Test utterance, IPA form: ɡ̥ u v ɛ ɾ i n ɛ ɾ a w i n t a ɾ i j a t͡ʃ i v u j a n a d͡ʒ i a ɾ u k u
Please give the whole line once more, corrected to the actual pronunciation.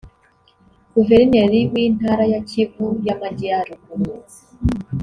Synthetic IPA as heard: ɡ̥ u v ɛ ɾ i n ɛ ɾ i w i n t a ɾ a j a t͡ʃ i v u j a m a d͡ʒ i a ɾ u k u